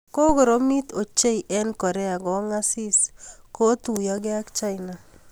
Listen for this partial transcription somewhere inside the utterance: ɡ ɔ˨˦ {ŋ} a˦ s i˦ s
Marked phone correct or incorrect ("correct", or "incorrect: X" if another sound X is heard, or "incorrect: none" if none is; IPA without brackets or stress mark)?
correct